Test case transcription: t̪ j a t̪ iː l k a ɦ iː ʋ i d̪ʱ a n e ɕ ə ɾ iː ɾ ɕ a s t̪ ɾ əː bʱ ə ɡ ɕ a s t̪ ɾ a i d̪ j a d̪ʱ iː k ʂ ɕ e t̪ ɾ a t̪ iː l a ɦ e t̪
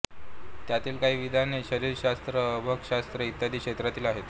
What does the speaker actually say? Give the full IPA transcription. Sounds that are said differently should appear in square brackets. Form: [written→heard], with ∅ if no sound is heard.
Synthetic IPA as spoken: t̪ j a t̪ iː l k a ɦ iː ʋ i d̪ʱ a n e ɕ ə ɾ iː ɾ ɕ a s t̪ ɾ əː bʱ ə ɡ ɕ a s t̪ ɾ [a→ə] i [d̪→t̪] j a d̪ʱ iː k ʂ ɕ e t̪ ɾ a t̪ iː l a ɦ e t̪